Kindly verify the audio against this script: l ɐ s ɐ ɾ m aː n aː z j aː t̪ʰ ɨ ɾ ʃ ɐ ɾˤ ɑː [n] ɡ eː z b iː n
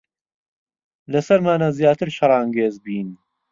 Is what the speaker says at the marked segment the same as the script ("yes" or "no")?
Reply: no